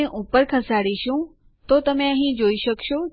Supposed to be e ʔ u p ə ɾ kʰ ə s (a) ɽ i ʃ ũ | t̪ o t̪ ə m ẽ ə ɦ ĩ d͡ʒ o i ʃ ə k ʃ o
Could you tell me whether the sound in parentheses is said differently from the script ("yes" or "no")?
no